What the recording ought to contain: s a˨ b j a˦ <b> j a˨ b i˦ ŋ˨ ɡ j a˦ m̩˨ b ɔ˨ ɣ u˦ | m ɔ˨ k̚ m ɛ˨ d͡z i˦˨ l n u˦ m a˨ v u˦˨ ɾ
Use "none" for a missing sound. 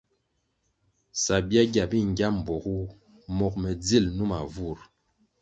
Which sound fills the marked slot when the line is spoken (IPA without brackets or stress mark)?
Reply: ɡ